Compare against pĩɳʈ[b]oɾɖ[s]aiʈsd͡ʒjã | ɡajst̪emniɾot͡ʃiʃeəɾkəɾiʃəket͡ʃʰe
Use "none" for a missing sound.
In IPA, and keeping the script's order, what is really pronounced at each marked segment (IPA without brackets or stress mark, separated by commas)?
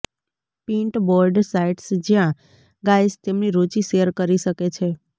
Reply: b, s